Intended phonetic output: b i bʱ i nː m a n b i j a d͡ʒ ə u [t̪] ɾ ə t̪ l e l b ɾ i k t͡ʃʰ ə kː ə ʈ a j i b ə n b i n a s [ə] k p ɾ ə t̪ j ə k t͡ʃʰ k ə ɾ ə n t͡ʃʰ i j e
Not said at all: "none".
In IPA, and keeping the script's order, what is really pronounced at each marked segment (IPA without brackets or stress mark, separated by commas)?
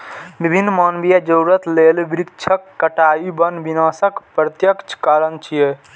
none, ə